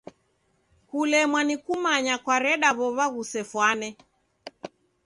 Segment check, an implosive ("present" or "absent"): present